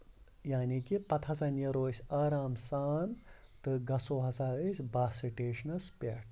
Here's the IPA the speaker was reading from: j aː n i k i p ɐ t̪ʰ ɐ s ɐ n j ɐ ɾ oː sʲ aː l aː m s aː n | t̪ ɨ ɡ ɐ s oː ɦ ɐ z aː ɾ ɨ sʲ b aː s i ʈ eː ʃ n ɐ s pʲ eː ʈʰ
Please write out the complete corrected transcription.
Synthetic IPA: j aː n i k i p ɐ t̪ʰ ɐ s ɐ n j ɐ ɾ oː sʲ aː ɾ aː m s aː n | t̪ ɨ ɡ ɐ s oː ɦ ɐ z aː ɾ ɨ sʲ b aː s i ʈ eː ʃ n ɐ s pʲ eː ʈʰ

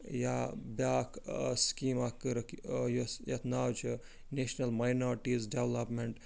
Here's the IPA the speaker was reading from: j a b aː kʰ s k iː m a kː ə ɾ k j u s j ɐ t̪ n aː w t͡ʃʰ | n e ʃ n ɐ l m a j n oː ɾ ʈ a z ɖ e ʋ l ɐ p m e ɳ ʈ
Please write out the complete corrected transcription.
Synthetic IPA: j a b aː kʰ s k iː m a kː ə ɾ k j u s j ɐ t̪ n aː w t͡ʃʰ | n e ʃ n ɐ l m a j n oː ɾ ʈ i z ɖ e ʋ l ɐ p m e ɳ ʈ

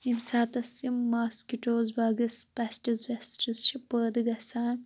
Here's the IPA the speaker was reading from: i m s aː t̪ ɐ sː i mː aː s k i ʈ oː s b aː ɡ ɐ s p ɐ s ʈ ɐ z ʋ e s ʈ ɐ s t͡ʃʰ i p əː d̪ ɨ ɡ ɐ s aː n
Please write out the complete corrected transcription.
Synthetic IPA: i m s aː t̪ ɐ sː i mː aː s k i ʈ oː z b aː ɡ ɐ s p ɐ s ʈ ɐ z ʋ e s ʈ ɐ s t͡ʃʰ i p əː d̪ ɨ ɡ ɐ s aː n

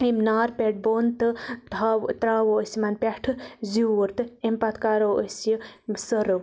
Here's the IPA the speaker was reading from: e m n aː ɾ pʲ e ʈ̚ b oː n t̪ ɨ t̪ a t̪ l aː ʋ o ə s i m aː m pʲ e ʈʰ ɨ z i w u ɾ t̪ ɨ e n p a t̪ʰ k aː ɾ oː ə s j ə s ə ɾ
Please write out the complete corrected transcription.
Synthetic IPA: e m n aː ɾ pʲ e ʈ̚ b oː n t̪ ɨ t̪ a t̪ ɾ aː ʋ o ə s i m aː n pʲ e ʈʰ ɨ z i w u ɾ t̪ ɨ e m p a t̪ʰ k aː ɾ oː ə s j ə s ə ɾ

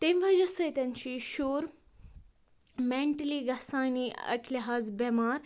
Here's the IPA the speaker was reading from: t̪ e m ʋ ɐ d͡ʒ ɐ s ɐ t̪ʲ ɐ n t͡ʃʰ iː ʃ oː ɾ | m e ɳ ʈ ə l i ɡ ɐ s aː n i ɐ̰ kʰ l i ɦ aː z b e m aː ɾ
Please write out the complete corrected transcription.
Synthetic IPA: t̪ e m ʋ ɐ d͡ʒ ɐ s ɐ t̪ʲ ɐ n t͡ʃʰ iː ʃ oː ɾ | m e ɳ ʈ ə l i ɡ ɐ s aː n i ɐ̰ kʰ l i ɦ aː z b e m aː ɾ

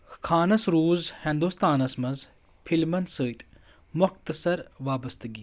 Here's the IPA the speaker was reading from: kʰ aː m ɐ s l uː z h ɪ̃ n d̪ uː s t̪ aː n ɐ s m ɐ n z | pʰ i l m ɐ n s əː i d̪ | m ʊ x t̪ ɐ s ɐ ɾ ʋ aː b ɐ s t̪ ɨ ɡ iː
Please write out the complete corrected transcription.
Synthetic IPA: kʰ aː n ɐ s ɾ uː z h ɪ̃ n d̪ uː s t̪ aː n ɐ s m ɐ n z | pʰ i l m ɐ n s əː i t̪ | m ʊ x t̪ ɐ s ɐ ɾ ʋ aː b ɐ s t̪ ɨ ɡ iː

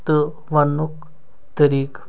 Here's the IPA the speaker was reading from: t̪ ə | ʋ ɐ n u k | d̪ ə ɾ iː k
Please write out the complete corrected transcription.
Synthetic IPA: t̪ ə | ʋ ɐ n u k | t̪ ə ɾ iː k

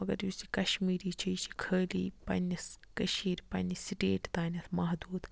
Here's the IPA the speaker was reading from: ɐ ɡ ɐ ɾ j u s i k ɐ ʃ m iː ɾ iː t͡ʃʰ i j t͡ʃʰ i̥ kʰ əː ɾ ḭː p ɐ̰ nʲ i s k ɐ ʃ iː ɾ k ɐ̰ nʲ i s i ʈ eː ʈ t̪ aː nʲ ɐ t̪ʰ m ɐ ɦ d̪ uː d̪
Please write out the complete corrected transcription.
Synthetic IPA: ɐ ɡ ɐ ɾ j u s i k ɐ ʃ m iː ɾ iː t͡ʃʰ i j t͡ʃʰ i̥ kʰ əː l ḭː p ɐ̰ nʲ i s k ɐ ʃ iː ɾ p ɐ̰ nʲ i s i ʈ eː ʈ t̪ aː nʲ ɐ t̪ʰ m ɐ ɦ d̪ uː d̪

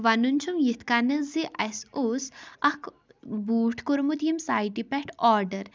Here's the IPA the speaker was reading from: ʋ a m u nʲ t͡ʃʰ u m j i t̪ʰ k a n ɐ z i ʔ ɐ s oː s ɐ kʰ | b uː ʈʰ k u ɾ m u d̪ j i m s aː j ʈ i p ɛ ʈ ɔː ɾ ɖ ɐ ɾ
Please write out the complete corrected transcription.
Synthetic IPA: ʋ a n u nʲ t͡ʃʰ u m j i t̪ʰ k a n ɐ z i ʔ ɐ s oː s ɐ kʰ | b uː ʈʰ k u ɾ m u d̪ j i m s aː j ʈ i p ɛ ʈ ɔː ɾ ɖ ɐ ɾ

